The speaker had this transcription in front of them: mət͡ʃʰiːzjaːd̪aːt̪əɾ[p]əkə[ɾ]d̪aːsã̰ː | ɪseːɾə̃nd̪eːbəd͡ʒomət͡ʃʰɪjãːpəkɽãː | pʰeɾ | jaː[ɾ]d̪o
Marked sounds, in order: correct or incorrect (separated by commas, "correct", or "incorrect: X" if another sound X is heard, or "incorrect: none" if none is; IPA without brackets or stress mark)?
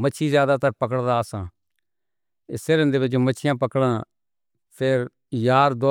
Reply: correct, incorrect: ɽ, correct